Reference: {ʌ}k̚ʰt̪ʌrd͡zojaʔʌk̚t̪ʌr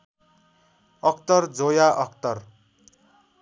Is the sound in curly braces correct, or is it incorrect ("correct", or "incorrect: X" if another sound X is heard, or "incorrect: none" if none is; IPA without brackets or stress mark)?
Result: correct